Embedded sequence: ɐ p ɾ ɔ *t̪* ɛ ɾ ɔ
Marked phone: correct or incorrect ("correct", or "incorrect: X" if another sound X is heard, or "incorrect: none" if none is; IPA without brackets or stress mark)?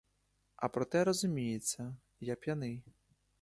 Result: correct